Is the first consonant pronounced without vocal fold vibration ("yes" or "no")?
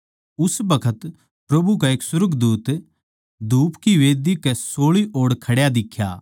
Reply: yes